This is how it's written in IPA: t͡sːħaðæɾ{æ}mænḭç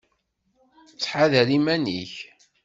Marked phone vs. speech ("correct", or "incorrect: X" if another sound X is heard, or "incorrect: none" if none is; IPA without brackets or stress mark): incorrect: i